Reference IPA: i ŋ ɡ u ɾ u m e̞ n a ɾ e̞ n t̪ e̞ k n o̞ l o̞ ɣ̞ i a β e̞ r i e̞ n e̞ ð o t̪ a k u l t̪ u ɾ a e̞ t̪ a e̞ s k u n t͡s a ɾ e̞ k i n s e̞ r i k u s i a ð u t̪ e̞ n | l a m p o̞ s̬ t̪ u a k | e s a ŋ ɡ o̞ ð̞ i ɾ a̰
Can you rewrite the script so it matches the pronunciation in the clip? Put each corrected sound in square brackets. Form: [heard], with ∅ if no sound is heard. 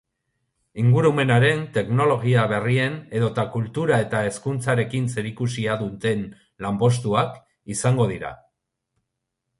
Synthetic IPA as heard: i ŋ ɡ u ɾ u m e̞ n a ɾ e̞ n t̪ e̞ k n o̞ l o̞ ɣ̞ i a β e̞ r i e̞ n e̞ ð o t̪ a k u l t̪ u ɾ a e̞ t̪ a e̞ s k u n t͡s a ɾ e̞ k i n s e̞ [ɾ] i k u s i a ð u t̪ e̞ n | l a m p o̞ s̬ t̪ u a k | [i] s a ŋ ɡ o̞ ð̞ i ɾ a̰